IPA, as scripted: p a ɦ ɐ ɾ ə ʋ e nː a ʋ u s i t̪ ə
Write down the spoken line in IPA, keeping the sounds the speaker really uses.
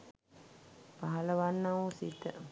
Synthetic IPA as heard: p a ɦ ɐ l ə ʋ a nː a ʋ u s i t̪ ə